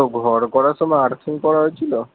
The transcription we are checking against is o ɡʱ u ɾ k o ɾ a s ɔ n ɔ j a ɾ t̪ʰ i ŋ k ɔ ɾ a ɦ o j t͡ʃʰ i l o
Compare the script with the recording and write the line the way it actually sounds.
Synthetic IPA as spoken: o ɡʱ ɔ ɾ k ɔ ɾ a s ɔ m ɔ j a ɾ t̪ʰ i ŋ k ɔ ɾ a ɦ o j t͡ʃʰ i l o